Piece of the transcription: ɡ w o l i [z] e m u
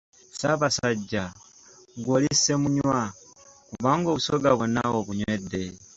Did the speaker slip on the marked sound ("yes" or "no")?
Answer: yes